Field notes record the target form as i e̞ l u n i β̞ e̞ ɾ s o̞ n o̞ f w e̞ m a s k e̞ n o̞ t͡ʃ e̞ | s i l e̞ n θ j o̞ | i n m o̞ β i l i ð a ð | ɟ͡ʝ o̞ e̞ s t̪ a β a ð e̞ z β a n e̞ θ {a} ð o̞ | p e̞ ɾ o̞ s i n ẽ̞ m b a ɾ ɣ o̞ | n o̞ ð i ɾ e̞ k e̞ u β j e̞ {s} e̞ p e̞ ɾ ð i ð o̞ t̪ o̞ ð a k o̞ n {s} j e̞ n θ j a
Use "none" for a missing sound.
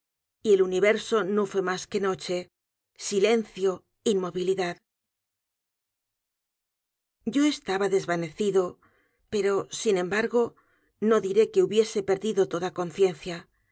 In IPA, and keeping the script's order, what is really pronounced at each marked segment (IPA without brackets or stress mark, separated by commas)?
i, s, θ